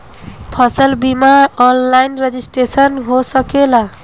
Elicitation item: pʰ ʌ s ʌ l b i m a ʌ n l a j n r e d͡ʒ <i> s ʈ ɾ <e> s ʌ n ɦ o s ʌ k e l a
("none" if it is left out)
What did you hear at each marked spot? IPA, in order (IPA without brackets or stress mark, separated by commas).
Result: i, e